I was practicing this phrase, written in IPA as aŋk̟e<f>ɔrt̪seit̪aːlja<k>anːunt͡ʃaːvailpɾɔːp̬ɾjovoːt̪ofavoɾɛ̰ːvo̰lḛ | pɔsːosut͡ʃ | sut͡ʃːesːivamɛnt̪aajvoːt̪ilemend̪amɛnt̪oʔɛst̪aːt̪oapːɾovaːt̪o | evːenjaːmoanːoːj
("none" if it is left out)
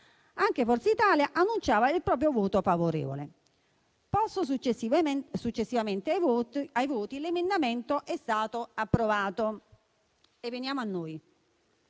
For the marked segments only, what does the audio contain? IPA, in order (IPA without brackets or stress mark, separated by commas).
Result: f, ʔ